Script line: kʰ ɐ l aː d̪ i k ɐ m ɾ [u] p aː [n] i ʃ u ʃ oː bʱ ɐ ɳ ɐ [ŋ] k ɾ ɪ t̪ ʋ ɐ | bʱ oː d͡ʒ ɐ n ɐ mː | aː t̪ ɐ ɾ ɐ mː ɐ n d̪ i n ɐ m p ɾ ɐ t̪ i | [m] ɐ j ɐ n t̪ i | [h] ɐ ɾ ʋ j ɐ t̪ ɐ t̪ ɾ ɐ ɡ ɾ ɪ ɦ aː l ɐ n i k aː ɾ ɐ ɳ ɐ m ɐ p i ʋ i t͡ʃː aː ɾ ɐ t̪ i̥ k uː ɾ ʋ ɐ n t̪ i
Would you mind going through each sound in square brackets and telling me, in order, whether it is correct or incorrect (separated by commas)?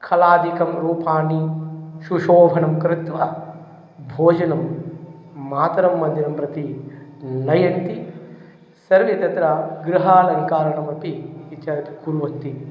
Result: incorrect, correct, incorrect, incorrect, incorrect